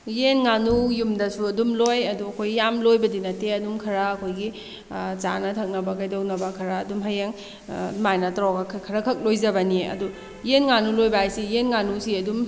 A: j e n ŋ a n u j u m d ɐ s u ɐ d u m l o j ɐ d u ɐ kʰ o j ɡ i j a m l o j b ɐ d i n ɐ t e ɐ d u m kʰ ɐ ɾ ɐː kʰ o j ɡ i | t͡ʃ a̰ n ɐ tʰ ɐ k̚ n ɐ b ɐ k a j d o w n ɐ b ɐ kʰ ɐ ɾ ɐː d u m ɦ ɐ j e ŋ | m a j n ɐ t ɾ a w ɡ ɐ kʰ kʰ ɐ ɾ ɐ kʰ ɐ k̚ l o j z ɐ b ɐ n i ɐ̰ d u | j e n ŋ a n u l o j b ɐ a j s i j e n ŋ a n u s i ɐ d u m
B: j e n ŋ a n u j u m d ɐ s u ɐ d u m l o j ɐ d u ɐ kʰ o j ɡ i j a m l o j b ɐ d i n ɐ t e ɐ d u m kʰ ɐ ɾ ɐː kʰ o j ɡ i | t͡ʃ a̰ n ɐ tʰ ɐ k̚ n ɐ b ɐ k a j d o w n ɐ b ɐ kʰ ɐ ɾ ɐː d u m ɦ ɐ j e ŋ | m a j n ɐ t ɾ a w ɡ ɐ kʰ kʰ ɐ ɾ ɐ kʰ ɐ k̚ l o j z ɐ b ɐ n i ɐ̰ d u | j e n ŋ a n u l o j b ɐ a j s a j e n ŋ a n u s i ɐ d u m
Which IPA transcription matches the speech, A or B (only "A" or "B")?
A